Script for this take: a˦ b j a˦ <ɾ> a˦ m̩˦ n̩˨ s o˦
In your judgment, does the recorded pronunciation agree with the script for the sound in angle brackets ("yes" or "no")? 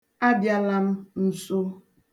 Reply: no